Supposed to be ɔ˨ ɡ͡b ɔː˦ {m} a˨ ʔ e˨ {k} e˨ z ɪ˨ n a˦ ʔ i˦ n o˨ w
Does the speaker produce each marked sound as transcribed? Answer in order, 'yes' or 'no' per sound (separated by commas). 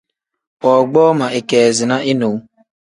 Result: yes, yes